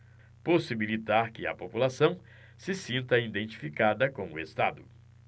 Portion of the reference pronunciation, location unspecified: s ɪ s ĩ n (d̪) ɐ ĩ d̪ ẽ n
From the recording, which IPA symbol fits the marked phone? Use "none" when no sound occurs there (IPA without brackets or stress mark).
t̪